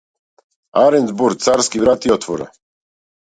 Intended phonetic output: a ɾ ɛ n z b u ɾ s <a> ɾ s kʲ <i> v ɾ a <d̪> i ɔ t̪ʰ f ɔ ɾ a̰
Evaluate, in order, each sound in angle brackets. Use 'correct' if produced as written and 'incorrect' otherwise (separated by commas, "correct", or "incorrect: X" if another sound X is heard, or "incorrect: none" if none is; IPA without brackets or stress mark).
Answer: correct, correct, incorrect: t̪